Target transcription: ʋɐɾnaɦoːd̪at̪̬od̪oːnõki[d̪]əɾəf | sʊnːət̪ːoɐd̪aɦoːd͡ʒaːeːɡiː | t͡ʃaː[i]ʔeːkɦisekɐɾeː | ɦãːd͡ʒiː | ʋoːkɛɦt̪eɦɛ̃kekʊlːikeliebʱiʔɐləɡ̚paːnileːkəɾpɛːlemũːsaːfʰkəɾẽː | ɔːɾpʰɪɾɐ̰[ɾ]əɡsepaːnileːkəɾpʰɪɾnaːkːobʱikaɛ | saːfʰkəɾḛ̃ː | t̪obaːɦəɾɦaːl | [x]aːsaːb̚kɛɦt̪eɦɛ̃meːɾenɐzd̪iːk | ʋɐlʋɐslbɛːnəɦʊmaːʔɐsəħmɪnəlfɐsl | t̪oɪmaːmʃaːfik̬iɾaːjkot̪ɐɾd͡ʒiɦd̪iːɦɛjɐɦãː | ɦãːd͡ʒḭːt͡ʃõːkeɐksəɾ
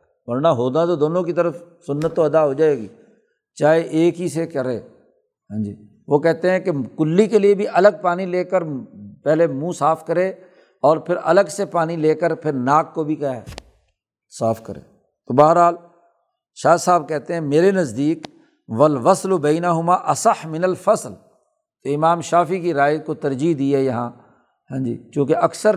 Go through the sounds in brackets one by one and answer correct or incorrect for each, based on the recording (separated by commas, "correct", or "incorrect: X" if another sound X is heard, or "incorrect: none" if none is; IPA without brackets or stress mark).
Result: incorrect: t̪, incorrect: e, incorrect: l, incorrect: ʃ